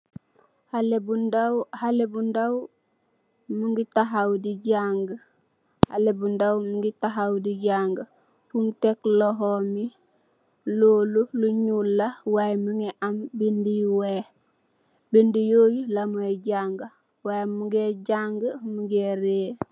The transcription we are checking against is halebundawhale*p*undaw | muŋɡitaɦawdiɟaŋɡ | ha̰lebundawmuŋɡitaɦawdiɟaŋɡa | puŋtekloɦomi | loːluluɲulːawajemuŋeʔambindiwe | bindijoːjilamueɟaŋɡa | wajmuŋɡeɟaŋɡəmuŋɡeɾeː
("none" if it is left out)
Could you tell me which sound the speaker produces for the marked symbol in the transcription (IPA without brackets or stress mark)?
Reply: b